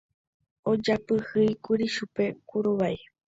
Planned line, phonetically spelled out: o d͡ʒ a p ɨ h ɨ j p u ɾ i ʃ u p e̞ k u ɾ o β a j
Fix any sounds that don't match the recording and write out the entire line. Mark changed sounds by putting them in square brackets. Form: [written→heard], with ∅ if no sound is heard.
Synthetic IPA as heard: o d͡ʒ a p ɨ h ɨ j [p→k] u ɾ i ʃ u p e̞ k u ɾ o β a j